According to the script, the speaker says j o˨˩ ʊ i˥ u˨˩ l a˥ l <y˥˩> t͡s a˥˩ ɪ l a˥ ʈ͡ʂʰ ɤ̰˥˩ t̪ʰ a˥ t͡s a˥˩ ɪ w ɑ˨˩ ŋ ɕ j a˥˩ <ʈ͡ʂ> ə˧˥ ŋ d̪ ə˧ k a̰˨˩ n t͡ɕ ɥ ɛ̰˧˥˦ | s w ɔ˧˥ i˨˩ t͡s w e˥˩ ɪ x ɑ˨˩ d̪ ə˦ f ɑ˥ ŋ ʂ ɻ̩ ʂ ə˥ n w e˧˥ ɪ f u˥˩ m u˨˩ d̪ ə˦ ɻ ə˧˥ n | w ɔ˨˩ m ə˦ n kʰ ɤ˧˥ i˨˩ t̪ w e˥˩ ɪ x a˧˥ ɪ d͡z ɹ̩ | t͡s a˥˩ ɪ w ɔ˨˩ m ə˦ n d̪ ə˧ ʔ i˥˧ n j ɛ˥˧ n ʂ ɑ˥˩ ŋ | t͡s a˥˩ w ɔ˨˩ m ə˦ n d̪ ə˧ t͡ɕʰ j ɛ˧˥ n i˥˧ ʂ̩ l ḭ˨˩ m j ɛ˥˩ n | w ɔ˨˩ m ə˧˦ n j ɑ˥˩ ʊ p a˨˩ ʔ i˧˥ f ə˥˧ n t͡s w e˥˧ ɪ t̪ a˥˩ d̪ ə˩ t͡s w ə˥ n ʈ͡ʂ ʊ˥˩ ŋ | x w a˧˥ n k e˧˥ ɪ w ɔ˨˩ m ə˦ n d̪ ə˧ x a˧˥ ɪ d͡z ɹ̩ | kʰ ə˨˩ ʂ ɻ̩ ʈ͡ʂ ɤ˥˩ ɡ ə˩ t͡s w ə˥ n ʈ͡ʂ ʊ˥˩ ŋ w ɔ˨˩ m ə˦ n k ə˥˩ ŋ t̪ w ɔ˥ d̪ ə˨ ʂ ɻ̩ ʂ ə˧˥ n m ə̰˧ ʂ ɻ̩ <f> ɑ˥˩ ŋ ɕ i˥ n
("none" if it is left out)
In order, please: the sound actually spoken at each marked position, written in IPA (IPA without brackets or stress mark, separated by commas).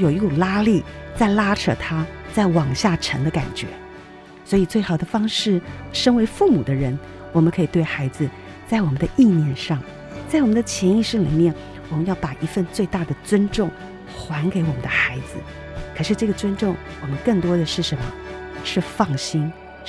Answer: i˥˩, ʈ͡ʂʰ, f